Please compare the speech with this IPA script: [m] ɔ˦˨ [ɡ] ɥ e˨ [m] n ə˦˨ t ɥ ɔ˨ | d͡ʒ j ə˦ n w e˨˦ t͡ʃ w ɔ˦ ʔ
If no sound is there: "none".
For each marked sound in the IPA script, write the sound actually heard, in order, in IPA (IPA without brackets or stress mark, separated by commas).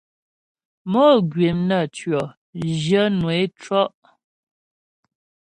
m, ɡ, m